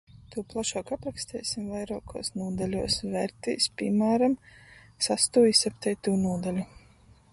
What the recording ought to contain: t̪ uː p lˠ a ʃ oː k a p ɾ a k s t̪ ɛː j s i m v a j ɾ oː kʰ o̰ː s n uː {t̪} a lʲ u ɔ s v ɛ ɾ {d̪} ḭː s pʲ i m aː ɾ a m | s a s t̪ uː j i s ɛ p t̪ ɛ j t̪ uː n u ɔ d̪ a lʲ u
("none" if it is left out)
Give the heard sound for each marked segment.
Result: d̪, t̪

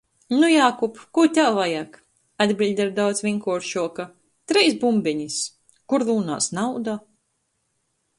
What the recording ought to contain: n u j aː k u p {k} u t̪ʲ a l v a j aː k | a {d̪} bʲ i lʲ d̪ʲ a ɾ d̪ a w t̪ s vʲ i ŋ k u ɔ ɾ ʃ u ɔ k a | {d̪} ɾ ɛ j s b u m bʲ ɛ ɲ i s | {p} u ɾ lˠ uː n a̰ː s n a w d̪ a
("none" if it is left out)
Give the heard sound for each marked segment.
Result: k, d̪, t̪, k

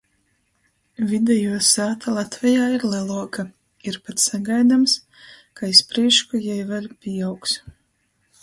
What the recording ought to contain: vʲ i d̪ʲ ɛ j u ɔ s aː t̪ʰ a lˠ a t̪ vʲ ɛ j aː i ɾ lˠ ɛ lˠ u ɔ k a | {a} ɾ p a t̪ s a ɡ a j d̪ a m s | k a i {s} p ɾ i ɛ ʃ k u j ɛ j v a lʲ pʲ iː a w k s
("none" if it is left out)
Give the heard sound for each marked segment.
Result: i, s

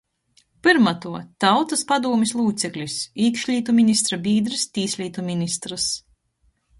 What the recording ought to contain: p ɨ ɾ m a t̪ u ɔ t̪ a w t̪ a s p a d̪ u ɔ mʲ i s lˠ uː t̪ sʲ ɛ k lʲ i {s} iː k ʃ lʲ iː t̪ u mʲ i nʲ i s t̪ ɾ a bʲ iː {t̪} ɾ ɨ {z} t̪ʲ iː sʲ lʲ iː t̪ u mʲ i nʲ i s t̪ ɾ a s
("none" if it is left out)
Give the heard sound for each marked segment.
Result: s, d̪, s

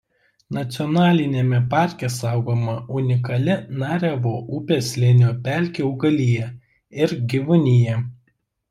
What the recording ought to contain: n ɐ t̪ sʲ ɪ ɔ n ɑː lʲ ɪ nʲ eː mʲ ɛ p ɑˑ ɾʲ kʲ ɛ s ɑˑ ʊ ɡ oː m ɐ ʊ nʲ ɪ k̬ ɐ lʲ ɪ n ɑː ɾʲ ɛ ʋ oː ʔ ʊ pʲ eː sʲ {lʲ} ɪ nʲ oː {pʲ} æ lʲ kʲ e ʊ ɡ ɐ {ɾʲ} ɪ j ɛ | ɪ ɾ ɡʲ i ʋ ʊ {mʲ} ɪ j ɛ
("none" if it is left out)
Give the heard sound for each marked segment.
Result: lʲ, pʲ, lʲ, nʲ

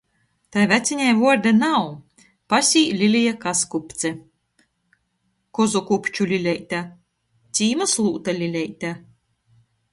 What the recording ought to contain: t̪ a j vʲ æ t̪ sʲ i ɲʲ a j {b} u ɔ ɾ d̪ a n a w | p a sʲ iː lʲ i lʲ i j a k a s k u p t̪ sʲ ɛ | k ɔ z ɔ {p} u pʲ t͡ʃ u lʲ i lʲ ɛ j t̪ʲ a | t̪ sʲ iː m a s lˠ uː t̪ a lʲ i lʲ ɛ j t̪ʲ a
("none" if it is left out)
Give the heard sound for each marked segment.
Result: v, k

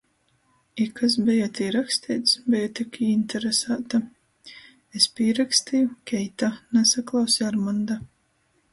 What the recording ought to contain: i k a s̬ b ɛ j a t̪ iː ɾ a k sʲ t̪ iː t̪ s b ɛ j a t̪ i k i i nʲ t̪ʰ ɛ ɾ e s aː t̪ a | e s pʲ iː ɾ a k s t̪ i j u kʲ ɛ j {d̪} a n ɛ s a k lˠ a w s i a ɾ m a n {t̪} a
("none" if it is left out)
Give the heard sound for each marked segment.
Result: t̪, d̪

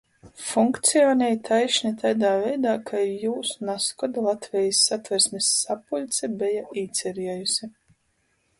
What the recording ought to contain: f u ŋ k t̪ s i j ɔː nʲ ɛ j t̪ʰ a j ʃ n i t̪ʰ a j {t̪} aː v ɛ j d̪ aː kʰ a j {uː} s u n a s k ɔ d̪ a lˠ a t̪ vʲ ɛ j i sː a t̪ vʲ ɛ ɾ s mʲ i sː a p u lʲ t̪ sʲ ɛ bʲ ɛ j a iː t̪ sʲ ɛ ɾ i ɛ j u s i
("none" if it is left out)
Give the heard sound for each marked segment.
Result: d̪, uː

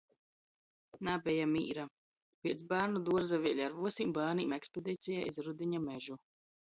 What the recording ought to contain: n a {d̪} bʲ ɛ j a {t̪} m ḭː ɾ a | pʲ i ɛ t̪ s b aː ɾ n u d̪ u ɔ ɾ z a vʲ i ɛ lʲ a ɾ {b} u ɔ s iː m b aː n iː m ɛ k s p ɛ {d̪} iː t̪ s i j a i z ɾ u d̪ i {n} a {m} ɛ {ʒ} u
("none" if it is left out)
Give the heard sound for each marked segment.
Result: none, none, v, d̪, ɲ, m, ʒ

